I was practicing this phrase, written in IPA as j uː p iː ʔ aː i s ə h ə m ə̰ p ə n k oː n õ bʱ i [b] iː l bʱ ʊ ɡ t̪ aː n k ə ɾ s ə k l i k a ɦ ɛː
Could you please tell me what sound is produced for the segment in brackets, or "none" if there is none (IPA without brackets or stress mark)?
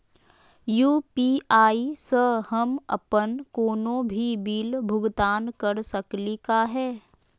b